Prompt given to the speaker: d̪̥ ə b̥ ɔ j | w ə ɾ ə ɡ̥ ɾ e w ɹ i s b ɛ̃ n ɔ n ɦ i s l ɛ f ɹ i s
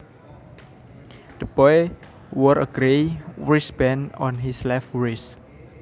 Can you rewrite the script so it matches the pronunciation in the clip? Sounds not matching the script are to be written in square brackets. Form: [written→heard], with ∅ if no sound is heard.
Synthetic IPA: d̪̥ ə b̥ ɔ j | w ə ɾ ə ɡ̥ ɾ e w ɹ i s b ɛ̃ n ɔ n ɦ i s l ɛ f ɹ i s